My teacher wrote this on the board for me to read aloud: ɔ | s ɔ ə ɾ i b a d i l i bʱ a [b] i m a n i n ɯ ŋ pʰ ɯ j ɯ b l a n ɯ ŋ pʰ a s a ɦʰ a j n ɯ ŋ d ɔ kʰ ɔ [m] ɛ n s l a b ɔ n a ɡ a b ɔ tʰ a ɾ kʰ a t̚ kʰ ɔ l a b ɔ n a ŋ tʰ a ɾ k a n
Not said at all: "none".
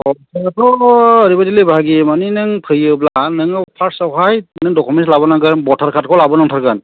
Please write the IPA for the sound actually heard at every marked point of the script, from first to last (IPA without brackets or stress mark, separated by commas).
ɡ, m